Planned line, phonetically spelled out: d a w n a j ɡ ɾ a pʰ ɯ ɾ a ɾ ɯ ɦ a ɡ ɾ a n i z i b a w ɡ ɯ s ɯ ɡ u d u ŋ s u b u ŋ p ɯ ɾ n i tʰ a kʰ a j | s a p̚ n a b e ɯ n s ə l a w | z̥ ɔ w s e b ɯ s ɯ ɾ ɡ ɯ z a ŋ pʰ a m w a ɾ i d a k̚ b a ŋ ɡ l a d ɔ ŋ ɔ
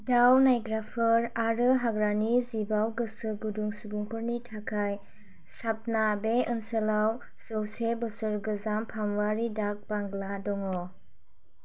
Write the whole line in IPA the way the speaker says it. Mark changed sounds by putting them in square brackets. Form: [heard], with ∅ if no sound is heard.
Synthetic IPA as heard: d a w n a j ɡ ɾ a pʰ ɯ ɾ a ɾ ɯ ɦ a ɡ ɾ a n i z i b a w ɡ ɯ s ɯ ɡ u d u ŋ s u b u ŋ p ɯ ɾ n i tʰ a kʰ a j | s a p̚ n a b e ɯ n s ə l a w | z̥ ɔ w s e b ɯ s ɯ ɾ ɡ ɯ z a [m] pʰ a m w a ɾ i d a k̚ b a ŋ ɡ l a d ɔ ŋ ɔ